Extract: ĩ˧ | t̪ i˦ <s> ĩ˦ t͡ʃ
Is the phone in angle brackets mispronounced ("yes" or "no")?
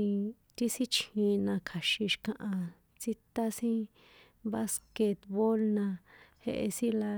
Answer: no